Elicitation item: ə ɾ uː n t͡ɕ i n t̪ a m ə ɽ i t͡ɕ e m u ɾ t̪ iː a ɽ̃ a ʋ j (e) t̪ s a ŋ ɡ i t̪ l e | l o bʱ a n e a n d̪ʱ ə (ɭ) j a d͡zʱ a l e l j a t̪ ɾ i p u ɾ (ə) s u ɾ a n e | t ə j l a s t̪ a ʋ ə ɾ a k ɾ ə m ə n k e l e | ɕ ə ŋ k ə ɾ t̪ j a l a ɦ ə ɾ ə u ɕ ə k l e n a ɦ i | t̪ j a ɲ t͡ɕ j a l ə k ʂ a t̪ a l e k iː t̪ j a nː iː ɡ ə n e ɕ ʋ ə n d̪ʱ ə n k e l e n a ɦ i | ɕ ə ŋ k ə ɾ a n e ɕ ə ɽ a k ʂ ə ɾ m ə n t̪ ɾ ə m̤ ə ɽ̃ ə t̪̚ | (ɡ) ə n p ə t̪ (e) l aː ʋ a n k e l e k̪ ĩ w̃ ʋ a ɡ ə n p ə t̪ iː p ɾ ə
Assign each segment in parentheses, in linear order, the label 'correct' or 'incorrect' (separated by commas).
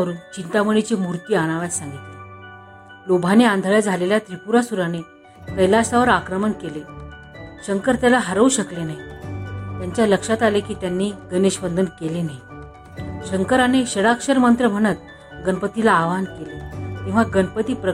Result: incorrect, correct, incorrect, correct, incorrect